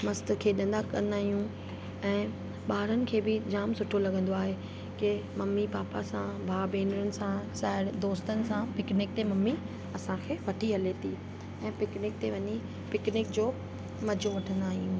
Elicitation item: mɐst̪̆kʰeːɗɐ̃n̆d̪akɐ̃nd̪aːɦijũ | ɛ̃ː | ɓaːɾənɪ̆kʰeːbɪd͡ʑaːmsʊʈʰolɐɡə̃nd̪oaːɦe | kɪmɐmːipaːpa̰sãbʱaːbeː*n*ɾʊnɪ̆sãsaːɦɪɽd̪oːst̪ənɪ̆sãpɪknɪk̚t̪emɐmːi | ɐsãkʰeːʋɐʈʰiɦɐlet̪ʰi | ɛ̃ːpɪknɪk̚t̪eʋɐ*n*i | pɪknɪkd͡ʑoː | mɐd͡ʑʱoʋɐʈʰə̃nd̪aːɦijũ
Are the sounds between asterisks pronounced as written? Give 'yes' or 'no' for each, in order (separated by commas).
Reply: yes, no